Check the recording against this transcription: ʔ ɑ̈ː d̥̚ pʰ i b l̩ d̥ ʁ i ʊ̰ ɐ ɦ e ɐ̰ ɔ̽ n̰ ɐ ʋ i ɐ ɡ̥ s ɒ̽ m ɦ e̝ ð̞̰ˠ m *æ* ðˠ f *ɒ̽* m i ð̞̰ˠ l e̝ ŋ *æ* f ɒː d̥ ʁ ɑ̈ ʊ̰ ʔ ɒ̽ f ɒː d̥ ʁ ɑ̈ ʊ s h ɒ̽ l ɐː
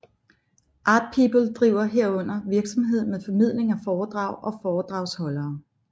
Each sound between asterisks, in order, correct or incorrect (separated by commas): incorrect, correct, correct